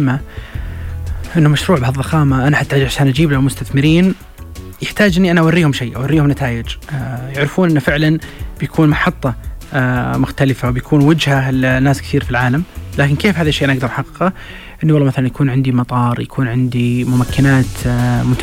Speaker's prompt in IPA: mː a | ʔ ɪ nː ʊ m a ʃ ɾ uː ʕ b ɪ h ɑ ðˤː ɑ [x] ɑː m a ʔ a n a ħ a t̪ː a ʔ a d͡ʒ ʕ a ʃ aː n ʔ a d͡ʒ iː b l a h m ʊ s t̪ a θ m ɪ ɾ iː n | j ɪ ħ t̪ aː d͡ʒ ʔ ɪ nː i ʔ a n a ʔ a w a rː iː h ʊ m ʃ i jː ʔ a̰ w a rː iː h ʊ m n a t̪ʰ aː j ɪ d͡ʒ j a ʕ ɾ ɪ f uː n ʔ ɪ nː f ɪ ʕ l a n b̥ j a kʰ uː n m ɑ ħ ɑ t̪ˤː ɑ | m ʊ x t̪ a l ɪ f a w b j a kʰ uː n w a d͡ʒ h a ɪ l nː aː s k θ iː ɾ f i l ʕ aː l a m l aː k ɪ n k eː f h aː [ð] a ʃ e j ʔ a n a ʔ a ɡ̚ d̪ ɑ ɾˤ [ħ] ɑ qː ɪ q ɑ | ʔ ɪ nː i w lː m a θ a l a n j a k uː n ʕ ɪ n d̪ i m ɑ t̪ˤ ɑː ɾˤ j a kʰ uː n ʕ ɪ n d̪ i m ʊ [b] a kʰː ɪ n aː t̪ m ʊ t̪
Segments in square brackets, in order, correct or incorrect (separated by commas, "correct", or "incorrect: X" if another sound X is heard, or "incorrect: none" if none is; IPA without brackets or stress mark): correct, correct, correct, incorrect: m